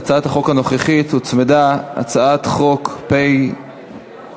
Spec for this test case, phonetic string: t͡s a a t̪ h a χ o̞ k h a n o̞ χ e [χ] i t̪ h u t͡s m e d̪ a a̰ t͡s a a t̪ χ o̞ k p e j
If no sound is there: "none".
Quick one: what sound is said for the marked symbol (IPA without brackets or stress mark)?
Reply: χ